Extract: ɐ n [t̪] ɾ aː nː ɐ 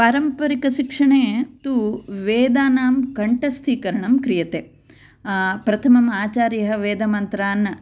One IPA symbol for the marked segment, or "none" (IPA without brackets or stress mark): t̪